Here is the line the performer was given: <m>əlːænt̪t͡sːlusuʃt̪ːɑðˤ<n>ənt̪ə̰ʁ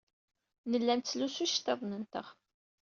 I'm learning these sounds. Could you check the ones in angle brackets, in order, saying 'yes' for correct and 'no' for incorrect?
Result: no, yes

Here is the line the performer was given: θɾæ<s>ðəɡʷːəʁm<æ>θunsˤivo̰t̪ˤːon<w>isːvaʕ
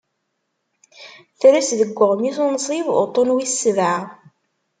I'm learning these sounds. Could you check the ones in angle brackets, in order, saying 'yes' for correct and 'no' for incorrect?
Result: yes, no, yes

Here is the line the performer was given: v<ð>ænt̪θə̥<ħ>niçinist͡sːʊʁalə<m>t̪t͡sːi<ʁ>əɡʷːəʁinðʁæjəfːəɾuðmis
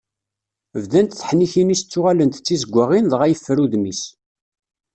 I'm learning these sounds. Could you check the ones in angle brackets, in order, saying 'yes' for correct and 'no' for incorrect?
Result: yes, yes, no, no

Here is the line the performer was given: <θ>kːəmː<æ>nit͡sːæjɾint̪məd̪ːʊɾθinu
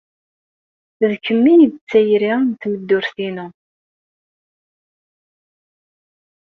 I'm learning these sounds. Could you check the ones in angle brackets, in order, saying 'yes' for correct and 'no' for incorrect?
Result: no, no

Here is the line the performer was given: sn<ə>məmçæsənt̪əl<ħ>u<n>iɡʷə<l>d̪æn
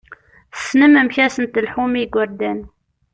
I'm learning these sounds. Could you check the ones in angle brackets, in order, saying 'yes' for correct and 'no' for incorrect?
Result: yes, yes, no, no

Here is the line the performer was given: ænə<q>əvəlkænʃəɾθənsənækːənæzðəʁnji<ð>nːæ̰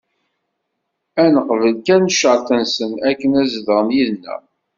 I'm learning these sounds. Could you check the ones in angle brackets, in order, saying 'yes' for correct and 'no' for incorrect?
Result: yes, yes

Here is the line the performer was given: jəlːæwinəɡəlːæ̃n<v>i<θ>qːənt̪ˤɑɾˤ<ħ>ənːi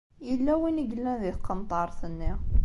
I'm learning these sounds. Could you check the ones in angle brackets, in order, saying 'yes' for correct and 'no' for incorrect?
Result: no, yes, no

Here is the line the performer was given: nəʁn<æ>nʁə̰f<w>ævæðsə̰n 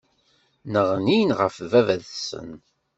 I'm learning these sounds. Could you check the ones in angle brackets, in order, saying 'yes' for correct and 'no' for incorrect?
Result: no, no

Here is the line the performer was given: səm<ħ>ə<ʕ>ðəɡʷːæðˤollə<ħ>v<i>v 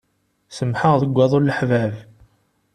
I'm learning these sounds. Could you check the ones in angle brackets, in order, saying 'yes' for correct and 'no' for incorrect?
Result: yes, no, yes, no

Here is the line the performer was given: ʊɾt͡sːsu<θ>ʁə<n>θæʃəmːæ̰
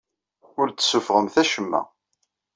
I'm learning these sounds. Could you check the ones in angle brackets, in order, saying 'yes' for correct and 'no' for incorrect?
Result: no, no

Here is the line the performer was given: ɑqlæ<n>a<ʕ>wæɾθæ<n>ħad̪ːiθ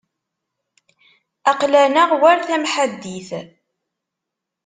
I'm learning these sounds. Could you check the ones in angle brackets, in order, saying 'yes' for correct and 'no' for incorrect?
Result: yes, no, no

